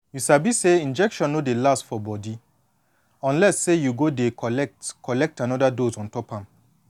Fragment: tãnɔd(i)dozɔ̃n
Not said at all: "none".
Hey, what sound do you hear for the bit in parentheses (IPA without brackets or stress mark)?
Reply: a